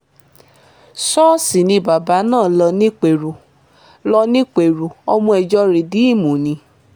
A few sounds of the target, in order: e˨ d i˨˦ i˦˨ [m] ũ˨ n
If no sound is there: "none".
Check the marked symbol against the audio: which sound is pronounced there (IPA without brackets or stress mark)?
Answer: m